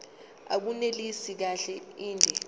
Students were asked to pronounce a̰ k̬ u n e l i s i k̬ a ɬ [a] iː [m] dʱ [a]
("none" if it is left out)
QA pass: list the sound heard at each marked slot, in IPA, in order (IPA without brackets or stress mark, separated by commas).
ɛ, n, ɛ